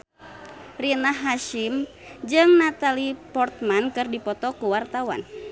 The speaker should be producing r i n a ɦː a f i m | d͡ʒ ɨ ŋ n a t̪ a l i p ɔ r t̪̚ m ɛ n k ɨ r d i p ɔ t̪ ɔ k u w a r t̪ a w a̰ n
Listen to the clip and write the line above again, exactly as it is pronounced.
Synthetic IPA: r i n a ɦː a ʃ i m | d͡ʒ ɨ ŋ n a t̪ a l i p ɔ r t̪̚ m a n k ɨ r d i p ɔ t̪ ɔ k u w a r t̪ a w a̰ n